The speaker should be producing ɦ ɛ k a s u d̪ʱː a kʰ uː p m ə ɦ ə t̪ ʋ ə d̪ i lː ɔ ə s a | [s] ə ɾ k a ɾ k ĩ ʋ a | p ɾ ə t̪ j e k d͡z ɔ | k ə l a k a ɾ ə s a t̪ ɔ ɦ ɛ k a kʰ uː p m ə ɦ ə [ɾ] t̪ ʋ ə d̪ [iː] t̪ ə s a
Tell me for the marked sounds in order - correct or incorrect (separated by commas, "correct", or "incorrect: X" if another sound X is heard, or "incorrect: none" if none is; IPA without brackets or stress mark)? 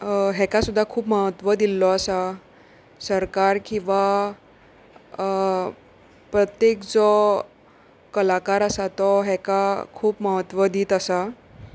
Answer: correct, incorrect: none, correct